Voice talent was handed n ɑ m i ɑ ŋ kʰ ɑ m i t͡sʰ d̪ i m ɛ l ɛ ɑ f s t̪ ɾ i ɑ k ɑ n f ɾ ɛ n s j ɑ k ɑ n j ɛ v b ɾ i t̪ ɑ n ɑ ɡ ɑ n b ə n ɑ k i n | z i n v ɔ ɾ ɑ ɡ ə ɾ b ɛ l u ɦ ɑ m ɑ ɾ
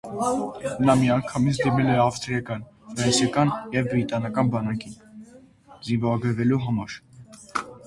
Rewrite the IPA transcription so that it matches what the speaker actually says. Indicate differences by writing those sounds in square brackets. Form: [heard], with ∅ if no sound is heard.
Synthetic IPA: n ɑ m i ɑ ŋ kʰ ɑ m i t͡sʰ d̪ i m ɛ l ɛ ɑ f s t̪ ɾ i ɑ k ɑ n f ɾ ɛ n s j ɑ k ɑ n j ɛ v b ɾ i t̪ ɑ n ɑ [k] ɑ n b [ɑ] n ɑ k i n | z i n v ɔ ɾ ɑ ɡ ə ɾ [v] ɛ l u ɦ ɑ m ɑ ɾ